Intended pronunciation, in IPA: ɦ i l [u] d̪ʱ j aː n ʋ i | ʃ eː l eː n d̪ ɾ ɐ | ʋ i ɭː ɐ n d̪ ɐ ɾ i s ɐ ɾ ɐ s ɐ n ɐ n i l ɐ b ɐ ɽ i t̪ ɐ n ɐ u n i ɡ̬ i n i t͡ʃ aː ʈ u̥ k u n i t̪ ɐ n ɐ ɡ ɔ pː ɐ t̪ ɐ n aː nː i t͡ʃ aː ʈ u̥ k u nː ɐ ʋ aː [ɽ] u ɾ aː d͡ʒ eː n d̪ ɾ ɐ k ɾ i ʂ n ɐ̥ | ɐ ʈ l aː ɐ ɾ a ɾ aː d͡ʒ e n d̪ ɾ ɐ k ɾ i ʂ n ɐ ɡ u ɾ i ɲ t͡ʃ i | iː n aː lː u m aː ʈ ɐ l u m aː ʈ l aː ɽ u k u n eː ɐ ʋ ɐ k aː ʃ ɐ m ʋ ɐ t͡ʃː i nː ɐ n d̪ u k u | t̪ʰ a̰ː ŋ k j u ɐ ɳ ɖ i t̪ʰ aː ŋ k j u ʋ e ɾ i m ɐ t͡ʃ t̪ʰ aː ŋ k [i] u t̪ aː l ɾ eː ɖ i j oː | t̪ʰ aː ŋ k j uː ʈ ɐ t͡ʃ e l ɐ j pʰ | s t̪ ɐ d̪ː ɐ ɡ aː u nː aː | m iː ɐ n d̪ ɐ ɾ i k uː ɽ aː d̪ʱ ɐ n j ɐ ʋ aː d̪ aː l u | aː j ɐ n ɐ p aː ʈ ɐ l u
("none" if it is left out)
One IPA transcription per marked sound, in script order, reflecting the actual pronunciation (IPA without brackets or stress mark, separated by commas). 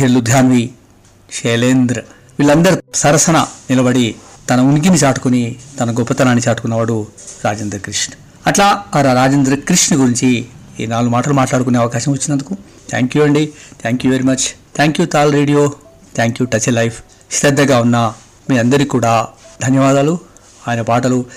u, ɽ, j